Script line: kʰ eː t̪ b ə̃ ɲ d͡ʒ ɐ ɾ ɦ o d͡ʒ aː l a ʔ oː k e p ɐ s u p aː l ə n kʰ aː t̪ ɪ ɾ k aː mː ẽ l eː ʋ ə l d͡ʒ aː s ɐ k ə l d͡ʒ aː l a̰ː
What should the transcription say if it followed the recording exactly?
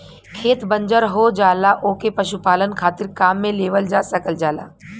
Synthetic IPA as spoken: kʰ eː t̪ b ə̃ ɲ d͡ʒ ə ɾ ɦ o d͡ʒ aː l a ʔ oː k e p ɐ ʃ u p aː l ə n kʰ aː t̪ ɪ ɾ k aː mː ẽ l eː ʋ ə l d͡ʒ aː s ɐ k ə l d͡ʒ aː l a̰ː